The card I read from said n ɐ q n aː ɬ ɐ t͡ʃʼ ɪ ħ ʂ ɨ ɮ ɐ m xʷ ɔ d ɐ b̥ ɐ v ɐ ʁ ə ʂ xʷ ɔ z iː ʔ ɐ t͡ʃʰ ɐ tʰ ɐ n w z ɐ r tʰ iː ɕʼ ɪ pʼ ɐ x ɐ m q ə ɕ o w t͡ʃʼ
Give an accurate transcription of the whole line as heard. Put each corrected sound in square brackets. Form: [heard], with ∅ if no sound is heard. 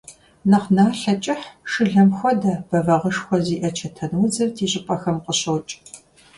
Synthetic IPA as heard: n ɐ q n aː ɬ ɐ t͡ʃʼ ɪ ħ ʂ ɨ ɮ ɐ m xʷ ɔ d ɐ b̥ ɐ v ɐ ʁ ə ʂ xʷ ɔ z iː ʔ ɐ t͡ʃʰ ɐ tʰ ɐ n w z ɐ r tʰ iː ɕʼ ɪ pʼ ɐ x ɐ m q ə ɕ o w t͡ʃʼ

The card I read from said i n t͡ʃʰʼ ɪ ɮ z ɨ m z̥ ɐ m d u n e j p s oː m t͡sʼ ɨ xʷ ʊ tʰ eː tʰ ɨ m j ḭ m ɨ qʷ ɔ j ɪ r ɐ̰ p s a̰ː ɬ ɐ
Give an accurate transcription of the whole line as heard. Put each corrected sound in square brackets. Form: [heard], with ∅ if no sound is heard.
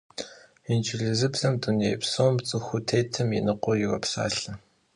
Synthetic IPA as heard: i n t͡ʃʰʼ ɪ ɮ z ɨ [b] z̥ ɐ m d u n e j p s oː m t͡sʼ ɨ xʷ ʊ tʰ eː tʰ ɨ m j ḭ [n] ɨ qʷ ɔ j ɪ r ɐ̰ p s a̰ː ɬ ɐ

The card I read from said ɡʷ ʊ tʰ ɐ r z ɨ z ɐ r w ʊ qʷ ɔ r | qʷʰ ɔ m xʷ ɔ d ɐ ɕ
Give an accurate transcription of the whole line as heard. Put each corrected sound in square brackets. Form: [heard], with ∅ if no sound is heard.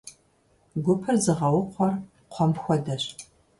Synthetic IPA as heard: ɡʷ ʊ [pʰ] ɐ r z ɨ [ʁ] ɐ [∅] w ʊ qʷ ɔ r | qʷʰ ɔ m xʷ ɔ d ɐ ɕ

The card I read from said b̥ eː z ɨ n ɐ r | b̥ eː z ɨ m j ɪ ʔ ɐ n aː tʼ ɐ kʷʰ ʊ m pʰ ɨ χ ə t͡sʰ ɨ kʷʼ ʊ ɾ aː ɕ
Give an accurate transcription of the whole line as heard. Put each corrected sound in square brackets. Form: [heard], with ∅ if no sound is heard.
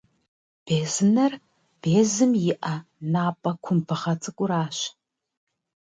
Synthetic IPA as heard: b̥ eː z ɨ n ɐ r | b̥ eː z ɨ m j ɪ ʔ ɐ n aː [pʼ] ɐ kʷʰ ʊ m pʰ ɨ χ [ɐ] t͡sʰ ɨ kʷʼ ʊ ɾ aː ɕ

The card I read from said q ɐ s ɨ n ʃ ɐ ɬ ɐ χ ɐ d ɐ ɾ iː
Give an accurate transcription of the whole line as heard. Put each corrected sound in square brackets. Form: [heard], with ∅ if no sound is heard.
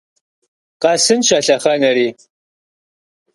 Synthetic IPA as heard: q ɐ s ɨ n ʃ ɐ ɬ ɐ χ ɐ [n] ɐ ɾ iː

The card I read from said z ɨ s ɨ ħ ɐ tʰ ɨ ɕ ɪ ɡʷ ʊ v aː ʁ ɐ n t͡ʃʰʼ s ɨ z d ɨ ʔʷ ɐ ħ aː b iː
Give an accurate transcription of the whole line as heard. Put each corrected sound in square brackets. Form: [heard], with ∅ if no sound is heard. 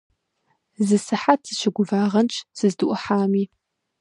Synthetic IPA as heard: z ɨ s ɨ ħ [a] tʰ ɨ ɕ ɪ ɡʷ ʊ v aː ʁ ɐ n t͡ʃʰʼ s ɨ z d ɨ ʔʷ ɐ ħ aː [m] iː

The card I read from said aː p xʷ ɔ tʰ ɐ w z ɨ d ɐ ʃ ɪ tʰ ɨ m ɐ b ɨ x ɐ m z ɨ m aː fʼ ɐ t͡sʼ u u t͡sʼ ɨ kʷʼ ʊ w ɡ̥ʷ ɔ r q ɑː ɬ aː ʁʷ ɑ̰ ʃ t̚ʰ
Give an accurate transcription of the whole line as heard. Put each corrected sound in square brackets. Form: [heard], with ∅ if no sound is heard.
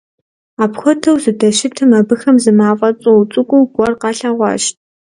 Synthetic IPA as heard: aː p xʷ ɔ tʰ ɐ w z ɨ d ɐ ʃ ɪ tʰ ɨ m ɐ b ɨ x ɐ m z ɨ m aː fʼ ɐ t͡sʼ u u t͡sʼ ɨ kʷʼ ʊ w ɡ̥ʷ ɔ r q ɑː ɬ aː ʁʷ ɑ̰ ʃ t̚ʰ

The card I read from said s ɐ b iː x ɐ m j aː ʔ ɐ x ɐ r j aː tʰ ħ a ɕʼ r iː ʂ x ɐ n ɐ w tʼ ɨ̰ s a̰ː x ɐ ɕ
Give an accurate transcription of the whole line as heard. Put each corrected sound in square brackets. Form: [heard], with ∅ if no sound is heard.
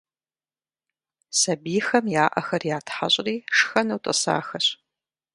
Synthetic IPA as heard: s ɐ b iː x ɐ m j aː ʔ ɐ x ɐ r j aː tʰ ħ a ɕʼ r iː ʂ x ɐ n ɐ w tʼ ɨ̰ s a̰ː x ɐ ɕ

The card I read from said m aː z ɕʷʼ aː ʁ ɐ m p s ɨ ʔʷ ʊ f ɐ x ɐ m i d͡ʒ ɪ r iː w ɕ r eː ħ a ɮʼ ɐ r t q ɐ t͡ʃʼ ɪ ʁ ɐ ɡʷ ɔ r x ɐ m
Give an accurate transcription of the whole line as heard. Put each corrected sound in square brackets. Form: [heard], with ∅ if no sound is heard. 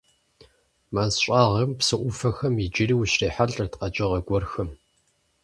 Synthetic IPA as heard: m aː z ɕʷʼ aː ʁ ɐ m p s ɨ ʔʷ ʊ f ɐ x ɐ m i d͡ʒ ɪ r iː w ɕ r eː ħ a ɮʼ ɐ r t q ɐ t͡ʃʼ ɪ ʁ ɐ ɡʷ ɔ r x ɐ m

